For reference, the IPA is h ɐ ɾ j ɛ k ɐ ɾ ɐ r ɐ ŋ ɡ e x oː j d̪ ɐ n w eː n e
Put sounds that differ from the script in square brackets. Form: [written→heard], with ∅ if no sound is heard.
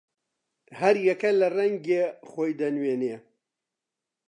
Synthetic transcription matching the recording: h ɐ ɾ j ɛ k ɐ [ɾ→l] ɐ r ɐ ŋ ɡ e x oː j d̪ ɐ n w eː n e